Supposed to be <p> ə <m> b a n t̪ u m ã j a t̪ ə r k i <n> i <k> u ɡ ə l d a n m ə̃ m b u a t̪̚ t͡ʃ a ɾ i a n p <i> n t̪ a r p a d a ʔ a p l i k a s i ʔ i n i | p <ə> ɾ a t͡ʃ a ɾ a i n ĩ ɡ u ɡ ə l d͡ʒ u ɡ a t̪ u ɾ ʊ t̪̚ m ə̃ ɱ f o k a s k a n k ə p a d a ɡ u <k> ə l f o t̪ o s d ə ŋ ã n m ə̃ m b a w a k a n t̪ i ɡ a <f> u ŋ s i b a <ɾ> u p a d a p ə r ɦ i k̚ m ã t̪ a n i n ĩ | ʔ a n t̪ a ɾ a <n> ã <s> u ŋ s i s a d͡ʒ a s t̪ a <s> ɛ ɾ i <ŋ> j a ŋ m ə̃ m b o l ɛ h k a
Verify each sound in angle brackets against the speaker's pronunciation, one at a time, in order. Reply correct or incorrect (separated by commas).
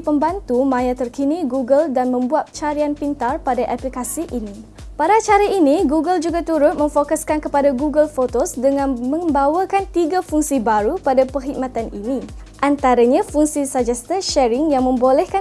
correct, correct, correct, incorrect, correct, incorrect, incorrect, correct, correct, incorrect, incorrect, incorrect, correct